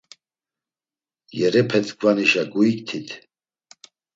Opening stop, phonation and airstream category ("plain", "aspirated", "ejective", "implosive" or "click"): aspirated